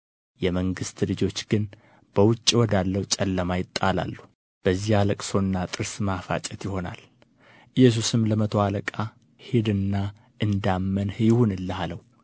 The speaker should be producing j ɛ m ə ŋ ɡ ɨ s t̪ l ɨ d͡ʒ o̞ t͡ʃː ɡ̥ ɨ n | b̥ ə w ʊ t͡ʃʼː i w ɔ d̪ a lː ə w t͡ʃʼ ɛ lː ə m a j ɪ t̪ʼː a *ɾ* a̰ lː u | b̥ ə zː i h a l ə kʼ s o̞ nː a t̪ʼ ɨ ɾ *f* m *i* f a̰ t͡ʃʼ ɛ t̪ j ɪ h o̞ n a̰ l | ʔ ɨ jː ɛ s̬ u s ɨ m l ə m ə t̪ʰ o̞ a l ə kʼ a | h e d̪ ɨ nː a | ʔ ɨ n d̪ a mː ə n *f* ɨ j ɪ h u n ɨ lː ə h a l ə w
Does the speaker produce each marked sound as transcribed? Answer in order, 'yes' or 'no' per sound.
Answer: no, no, no, no

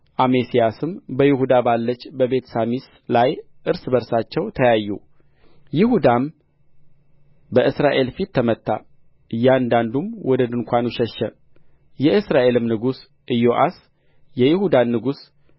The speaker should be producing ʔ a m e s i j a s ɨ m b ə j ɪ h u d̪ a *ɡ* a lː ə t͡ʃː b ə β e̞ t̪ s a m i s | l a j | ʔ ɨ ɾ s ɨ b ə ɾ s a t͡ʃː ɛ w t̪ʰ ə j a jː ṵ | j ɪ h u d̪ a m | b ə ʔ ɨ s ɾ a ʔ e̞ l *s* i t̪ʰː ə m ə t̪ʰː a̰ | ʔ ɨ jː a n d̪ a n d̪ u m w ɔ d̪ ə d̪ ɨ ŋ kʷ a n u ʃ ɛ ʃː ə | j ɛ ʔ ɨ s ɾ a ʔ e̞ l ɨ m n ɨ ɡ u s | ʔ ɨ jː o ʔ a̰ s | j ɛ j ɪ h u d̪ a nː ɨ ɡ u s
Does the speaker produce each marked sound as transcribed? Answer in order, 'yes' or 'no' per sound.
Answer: no, no

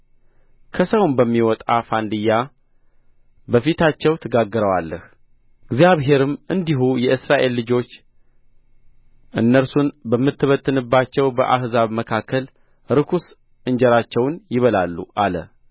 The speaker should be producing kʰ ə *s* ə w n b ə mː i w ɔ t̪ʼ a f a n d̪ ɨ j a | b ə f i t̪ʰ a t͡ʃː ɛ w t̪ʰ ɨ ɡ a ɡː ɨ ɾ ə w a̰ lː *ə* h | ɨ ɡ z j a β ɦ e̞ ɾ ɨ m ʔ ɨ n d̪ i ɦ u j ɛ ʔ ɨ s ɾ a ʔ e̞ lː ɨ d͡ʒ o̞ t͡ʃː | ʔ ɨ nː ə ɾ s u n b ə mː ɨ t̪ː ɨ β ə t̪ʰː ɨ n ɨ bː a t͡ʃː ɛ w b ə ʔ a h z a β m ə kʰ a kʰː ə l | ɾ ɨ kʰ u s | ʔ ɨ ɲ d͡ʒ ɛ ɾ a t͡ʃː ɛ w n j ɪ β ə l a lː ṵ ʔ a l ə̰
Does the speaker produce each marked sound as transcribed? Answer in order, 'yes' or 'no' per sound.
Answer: yes, yes

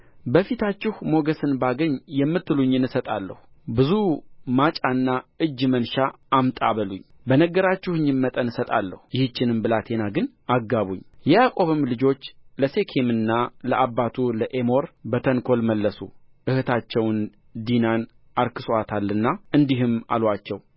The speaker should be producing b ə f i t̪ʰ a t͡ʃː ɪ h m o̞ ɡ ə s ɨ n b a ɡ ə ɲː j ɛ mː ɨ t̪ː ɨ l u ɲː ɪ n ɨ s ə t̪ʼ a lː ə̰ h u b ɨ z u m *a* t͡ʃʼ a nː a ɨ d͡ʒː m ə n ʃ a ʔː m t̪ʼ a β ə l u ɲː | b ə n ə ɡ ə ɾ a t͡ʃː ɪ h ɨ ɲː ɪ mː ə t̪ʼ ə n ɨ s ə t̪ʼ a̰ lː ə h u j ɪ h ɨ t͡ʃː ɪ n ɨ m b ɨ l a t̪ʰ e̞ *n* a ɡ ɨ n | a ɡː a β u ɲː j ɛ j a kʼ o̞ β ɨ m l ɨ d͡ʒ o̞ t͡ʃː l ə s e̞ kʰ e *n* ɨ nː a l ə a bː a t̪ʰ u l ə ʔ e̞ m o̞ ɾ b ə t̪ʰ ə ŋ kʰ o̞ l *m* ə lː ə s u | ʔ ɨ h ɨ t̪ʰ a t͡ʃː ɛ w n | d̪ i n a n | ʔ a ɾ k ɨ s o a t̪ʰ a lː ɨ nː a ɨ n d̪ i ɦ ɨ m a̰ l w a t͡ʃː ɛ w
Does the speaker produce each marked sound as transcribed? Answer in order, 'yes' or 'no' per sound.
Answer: yes, yes, no, yes

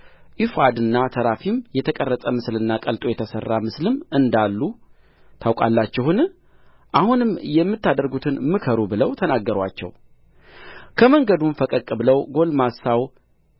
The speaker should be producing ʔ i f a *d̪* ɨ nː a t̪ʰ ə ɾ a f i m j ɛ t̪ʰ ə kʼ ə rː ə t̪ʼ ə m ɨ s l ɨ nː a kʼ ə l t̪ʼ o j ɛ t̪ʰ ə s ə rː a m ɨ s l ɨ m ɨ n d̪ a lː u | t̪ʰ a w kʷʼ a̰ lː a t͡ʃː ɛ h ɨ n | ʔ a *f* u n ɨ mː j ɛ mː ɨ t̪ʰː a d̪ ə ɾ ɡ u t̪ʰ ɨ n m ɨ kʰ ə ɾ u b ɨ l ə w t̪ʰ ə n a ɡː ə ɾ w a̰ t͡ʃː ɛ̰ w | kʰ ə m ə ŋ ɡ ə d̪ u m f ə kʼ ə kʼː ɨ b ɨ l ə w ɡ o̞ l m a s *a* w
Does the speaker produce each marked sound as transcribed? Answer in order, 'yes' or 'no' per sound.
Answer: yes, no, yes

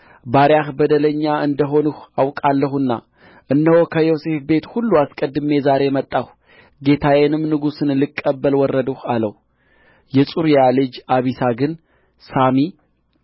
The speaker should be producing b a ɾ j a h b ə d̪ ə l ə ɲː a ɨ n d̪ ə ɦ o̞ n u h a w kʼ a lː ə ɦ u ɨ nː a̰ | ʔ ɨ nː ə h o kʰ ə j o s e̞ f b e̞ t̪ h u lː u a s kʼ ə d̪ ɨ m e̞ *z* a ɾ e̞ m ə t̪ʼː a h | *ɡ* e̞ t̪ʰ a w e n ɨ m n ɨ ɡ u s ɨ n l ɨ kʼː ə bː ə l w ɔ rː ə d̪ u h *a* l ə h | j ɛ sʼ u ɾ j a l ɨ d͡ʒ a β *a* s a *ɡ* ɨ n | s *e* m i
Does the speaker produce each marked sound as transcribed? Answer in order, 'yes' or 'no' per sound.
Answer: yes, yes, yes, no, yes, no

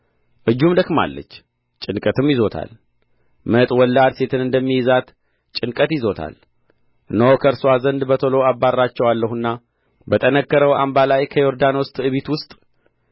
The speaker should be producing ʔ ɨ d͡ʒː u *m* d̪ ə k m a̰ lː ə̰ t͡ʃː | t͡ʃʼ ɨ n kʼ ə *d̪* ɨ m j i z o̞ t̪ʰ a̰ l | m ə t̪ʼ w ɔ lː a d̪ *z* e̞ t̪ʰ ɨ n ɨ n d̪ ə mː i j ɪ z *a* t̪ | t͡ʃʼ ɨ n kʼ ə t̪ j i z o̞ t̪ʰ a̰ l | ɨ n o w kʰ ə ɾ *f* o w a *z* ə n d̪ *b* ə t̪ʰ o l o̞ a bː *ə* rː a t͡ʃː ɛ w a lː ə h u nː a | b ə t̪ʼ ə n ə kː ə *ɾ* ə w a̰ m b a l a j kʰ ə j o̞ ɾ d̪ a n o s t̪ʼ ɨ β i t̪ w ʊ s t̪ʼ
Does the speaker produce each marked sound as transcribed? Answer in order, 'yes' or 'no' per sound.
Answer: yes, no, no, yes, no, yes, yes, no, yes

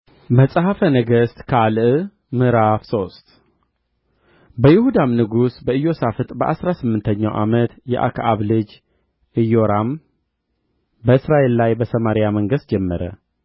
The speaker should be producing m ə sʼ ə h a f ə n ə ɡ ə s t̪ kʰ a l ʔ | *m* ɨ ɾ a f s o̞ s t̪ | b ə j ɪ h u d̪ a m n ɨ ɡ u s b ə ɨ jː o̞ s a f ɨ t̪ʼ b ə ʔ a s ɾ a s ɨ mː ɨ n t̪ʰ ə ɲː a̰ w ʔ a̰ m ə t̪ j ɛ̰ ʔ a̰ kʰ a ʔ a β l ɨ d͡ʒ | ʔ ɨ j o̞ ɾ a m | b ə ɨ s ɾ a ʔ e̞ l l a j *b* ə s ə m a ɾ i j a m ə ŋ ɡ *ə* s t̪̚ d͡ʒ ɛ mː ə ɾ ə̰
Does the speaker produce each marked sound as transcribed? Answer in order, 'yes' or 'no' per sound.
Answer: yes, yes, yes

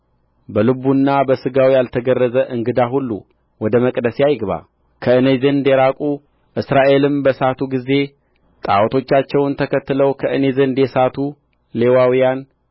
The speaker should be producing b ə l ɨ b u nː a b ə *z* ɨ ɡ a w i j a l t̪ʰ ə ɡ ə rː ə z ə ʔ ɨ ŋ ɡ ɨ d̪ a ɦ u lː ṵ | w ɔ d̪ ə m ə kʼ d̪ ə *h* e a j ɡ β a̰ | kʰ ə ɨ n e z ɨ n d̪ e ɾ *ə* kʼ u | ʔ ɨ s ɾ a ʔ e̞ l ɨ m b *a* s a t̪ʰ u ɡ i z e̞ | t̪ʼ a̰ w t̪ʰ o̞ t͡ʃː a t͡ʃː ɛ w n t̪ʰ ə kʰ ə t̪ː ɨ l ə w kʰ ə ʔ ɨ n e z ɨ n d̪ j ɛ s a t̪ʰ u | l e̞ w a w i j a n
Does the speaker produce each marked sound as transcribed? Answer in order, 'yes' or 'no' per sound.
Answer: no, no, no, no

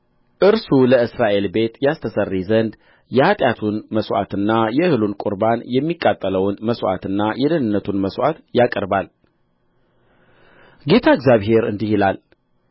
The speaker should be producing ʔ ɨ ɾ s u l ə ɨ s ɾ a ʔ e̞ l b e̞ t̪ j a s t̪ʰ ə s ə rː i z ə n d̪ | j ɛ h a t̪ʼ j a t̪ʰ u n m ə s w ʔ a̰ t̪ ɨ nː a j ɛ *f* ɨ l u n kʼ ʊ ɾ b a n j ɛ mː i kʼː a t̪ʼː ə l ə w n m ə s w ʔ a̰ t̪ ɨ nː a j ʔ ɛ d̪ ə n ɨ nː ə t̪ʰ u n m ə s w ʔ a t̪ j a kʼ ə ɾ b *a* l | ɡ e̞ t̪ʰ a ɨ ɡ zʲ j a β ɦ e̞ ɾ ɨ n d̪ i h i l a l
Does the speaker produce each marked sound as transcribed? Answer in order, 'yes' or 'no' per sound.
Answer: no, yes

